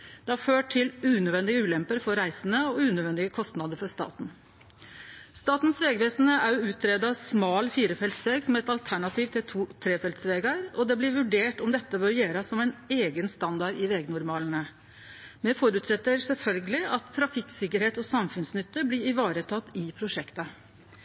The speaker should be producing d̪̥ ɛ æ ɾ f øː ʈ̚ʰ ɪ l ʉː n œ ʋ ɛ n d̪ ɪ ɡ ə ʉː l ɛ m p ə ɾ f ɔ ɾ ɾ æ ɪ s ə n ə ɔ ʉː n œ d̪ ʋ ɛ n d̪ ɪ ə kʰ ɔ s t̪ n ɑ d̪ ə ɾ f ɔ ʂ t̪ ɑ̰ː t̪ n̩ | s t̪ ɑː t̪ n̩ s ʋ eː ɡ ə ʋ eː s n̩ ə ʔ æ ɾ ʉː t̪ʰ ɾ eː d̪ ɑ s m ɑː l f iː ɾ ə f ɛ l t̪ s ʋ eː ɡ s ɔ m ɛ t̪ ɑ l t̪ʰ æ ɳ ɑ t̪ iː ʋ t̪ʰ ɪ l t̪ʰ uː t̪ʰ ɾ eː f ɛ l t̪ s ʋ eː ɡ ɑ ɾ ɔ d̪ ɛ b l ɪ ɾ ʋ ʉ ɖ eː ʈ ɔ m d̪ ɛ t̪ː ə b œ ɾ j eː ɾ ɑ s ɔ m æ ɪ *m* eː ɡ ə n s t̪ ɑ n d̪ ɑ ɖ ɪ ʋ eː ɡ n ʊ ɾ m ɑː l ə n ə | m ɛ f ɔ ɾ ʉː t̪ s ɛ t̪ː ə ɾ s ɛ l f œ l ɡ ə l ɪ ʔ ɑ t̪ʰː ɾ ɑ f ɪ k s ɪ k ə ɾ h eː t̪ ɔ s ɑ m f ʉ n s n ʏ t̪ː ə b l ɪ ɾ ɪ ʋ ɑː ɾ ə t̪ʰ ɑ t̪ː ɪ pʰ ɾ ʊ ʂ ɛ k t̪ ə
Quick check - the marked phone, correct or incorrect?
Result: incorrect